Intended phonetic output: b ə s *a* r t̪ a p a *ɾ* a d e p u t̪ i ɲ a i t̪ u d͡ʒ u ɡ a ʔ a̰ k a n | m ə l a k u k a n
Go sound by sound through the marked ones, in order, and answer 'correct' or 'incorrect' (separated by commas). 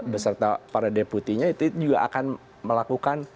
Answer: incorrect, correct